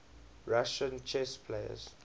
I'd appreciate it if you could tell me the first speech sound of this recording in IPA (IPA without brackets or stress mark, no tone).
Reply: ɹ